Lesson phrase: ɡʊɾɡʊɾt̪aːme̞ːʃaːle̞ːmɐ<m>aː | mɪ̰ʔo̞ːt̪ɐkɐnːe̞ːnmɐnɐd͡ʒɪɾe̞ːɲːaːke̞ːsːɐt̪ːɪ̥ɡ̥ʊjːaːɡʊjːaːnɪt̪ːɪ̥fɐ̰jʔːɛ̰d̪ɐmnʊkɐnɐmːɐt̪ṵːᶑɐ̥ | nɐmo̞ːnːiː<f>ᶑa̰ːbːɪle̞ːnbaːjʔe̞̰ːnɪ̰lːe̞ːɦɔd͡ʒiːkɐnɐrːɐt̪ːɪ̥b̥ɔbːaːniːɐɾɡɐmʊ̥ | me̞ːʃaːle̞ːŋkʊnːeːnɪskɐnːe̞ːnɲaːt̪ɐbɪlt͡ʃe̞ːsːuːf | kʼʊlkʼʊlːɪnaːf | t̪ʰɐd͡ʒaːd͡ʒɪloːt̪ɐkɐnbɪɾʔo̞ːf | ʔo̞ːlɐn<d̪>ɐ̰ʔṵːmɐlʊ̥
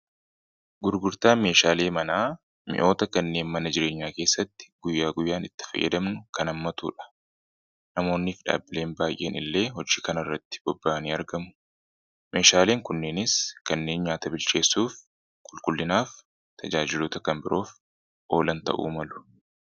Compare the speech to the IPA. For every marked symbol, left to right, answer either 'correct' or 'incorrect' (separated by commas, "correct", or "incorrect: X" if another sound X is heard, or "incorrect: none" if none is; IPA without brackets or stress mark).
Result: incorrect: n, correct, incorrect: t̪